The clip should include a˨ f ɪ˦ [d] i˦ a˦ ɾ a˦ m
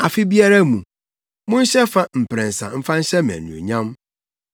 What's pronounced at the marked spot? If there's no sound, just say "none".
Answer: b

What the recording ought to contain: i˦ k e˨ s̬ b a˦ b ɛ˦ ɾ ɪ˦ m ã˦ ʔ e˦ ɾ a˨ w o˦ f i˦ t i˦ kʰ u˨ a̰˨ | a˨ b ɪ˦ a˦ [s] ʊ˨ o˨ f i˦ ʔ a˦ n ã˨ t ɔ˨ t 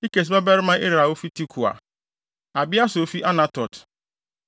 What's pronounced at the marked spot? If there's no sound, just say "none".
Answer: s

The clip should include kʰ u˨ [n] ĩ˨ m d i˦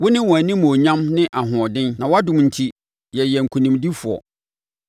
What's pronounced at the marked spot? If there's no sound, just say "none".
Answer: n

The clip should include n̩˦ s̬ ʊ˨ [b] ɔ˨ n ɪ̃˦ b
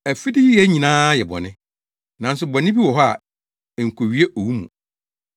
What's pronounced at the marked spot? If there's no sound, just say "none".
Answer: b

